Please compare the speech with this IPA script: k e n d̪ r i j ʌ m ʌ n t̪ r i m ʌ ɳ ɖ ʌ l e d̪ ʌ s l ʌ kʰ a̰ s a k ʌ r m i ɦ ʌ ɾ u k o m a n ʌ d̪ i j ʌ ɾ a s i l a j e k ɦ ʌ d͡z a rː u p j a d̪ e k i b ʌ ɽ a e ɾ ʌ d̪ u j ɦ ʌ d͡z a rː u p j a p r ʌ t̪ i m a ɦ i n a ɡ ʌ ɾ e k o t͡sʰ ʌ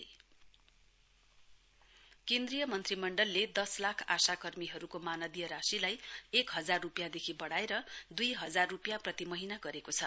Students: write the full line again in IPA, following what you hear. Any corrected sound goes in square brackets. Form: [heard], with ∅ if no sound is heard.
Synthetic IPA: k e n d̪ r i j ʌ m ʌ n t̪ r i m ʌ ɳ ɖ ʌ [lː] e d̪ ʌ s l [a] kʰ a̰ s a k ʌ r m i ɦ ʌ ɾ u k o m a n ʌ d̪ i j ʌ ɾ a s i l a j e k ɦ ʌ d͡z a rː u p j a d̪ e [kʰ] i b ʌ ɽ a e ɾ ʌ d̪ u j ɦ ʌ d͡z a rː u p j a p r ʌ t̪ i m [ʌ] ɦ i n a ɡ ʌ ɾ e k o t͡sʰ ʌ